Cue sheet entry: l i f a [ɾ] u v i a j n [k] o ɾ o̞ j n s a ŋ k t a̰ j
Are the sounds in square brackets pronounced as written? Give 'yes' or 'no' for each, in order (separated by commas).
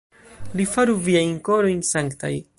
yes, yes